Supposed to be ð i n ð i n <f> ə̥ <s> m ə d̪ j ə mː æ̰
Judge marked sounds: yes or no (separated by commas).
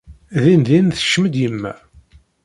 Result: no, no